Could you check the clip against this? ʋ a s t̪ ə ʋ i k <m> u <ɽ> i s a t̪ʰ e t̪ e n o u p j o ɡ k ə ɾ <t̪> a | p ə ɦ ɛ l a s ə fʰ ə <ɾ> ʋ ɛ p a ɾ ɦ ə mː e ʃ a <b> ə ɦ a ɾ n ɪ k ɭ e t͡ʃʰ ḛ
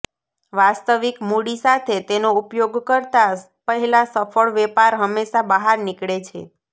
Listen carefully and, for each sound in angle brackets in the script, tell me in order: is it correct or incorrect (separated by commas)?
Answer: correct, correct, correct, incorrect, correct